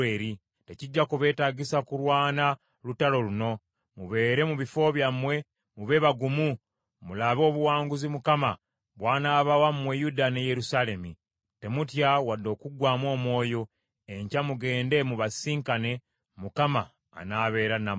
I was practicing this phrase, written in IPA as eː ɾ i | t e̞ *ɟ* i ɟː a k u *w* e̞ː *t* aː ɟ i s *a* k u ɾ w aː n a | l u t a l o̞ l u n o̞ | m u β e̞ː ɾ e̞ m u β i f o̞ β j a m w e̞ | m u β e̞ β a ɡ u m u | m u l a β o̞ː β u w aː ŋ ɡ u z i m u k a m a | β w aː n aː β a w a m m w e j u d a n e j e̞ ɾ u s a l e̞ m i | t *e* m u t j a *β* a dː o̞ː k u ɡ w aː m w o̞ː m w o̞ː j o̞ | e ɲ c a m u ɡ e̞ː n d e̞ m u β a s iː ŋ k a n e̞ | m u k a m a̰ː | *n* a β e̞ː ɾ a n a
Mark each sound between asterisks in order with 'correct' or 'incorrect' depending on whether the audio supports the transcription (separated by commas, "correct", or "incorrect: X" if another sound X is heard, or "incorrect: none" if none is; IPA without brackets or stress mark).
incorrect: c, incorrect: β, correct, correct, correct, incorrect: w, correct